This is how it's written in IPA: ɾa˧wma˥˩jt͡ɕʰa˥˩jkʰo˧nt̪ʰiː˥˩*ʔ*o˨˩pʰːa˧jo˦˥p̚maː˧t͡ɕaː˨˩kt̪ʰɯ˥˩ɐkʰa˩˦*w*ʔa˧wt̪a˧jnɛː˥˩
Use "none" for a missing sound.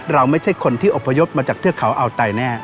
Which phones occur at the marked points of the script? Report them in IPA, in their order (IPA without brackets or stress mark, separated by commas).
ʔ, w